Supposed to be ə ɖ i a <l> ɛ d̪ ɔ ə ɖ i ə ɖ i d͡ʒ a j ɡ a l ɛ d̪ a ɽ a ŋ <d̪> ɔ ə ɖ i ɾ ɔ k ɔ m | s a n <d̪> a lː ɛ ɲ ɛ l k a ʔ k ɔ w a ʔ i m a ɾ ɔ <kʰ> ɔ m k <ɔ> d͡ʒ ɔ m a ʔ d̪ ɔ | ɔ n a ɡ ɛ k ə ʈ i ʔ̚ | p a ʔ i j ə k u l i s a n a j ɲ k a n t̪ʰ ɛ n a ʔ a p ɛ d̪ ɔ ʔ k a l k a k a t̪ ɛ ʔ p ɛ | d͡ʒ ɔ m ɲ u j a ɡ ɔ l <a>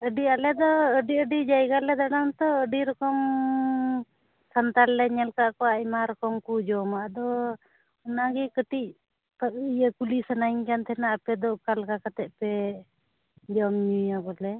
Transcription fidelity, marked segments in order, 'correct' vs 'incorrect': correct, incorrect: t̪, incorrect: t̪, incorrect: k, incorrect: u, incorrect: ɛ

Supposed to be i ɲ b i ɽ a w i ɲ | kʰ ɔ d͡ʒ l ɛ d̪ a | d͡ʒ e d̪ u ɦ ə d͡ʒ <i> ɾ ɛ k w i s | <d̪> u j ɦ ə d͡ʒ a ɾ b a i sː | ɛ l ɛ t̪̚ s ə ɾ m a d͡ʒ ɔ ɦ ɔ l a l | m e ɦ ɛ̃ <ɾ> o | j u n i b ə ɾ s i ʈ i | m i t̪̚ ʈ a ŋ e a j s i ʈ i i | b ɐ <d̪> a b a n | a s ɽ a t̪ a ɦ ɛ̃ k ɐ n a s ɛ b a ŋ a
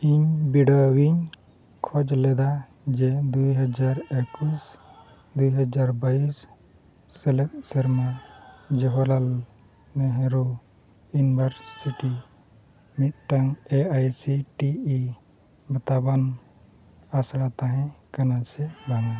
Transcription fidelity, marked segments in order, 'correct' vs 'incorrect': incorrect: a, correct, correct, incorrect: t̪

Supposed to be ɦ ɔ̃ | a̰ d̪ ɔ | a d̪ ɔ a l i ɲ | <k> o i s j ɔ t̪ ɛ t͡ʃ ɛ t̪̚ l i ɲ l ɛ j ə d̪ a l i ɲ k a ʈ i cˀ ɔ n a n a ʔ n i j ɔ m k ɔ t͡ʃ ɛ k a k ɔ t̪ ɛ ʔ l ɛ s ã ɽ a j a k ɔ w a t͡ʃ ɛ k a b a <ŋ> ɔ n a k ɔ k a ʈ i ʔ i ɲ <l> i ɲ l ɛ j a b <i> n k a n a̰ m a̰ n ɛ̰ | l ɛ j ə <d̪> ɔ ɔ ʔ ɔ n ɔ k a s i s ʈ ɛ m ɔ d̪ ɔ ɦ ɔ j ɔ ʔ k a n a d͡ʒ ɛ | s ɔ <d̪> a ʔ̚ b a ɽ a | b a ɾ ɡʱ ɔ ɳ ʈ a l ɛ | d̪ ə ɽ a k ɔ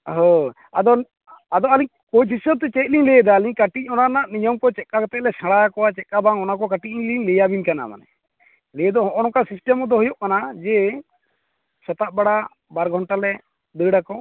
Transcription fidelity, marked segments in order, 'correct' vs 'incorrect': correct, correct, correct, correct, correct, incorrect: t̪

